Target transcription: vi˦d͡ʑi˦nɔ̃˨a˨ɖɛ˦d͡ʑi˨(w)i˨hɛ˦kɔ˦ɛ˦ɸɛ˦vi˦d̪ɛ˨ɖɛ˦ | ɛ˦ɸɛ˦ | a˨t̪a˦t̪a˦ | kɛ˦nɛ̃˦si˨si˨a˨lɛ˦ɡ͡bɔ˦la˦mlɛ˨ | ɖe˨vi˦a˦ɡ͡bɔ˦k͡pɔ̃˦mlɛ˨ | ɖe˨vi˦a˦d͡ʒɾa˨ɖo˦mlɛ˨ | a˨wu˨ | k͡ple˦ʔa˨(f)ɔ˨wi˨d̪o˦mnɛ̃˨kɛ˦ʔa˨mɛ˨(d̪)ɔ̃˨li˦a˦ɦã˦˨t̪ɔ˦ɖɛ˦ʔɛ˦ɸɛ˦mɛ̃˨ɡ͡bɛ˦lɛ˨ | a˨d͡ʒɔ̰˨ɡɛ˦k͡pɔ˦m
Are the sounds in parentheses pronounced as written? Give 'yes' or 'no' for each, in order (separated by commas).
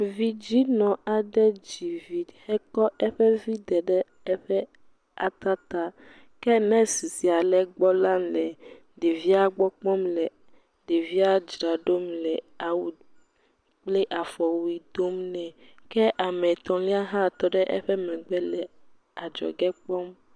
no, yes, no